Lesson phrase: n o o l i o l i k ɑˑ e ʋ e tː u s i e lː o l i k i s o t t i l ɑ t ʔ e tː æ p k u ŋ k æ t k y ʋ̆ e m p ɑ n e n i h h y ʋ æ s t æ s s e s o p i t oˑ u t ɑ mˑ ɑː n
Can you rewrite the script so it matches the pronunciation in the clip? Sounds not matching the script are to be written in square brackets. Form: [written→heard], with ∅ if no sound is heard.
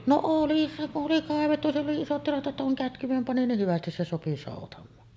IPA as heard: n o o l i o l i k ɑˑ e ʋ e tː u s i e lː o l i [k→∅] i s o t t i l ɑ t ʔ e tː æ [p→∅] k u ŋ k æ t k y ʋ̆ e m p ɑ n [e→i] n i h h y ʋ æ s t [æ→i] s s e s o p i [t→s] oˑ u t ɑ mˑ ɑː n